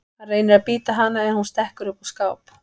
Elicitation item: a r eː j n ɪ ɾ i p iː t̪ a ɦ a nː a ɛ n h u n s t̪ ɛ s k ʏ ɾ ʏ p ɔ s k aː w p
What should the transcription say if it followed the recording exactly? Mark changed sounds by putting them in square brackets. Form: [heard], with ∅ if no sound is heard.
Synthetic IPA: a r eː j n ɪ ɾ [a] p iː t̪ a ɦ a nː a ɛ n h u n s t̪ ɛ [h] k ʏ ɾ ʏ p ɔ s k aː w p